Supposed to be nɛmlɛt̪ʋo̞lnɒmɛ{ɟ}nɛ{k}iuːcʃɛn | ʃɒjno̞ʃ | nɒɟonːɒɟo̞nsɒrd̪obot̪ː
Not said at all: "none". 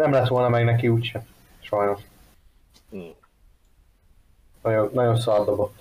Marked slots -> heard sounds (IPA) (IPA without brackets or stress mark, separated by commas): ɡ, k